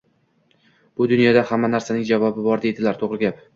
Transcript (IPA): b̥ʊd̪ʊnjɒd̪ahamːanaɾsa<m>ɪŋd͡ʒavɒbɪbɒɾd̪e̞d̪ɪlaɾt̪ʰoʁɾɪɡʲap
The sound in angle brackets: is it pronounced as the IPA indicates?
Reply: no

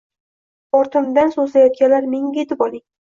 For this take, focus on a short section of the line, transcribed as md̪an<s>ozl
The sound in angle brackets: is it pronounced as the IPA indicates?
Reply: yes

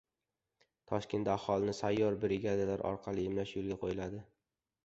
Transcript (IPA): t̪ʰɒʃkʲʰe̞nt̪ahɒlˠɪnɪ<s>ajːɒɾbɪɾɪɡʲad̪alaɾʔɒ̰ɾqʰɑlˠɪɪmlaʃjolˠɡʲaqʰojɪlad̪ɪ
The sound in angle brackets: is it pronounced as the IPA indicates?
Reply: yes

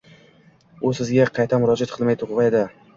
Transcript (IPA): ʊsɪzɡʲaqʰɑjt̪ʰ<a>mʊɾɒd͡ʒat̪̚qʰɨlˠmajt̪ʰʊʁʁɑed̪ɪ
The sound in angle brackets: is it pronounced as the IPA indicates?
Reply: yes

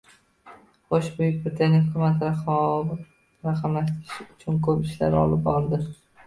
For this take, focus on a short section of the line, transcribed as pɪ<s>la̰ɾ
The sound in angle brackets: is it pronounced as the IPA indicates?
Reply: no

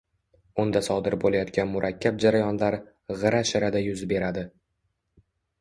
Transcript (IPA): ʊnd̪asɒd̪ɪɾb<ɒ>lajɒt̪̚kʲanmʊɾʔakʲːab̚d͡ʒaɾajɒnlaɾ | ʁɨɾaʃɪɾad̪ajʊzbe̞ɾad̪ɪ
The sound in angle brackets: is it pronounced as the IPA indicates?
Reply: no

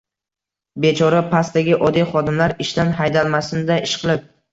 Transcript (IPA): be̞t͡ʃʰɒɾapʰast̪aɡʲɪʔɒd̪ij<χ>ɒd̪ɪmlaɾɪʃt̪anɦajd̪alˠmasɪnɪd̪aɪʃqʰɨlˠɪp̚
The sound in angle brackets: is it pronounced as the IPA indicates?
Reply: yes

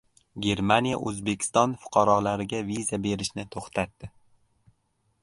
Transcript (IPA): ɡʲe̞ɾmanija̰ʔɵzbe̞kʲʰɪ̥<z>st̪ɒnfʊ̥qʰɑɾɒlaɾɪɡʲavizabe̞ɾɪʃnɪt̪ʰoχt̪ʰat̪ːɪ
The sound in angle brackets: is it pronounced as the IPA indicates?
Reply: no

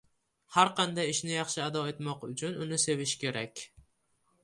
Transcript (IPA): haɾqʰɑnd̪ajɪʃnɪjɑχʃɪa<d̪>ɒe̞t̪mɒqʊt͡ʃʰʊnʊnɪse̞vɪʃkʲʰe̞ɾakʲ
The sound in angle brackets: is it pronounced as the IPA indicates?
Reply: yes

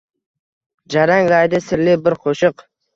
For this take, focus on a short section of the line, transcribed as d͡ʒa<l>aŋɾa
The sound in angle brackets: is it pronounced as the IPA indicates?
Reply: no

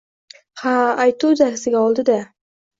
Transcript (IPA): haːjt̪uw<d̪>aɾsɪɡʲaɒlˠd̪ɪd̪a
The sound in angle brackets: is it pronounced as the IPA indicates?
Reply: yes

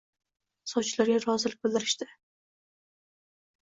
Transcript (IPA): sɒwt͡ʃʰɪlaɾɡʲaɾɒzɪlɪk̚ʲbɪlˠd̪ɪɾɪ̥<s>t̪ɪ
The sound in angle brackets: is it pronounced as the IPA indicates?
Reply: no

